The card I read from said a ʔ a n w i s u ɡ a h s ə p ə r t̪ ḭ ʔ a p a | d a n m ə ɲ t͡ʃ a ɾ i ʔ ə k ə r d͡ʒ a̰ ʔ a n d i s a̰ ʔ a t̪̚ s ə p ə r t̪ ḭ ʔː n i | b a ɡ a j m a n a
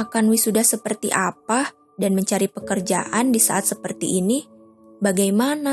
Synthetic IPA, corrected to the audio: a k a n w i s u d a h s ə p ə r t̪ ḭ ʔ a p a | d a n m ə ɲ t͡ʃ a ɾ i p ə k ə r d͡ʒ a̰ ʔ a n d i s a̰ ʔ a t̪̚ s ə p ə r t̪ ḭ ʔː n i | b a ɡ a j m a n a